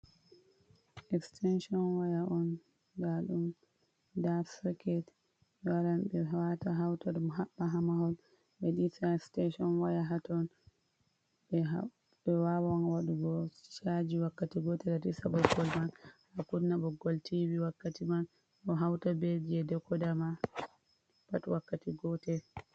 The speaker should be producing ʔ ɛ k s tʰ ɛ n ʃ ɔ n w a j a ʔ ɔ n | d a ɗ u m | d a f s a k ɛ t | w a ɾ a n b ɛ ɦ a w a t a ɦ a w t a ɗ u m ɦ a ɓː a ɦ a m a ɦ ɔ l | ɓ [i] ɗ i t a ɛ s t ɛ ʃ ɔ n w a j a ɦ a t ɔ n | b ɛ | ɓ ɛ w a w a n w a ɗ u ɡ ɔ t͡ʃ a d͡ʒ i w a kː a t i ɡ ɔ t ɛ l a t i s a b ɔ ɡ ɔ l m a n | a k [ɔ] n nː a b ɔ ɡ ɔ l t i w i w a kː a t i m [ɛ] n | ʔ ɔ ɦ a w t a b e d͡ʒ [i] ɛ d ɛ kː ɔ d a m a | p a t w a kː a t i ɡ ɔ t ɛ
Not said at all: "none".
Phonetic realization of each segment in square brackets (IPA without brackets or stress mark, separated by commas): ɛ, u, a, i